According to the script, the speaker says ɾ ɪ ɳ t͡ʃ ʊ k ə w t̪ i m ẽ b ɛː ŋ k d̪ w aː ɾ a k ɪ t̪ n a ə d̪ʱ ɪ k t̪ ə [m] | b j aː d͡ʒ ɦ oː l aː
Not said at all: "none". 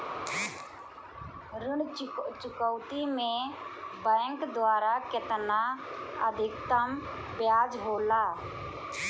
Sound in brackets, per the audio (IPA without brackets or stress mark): m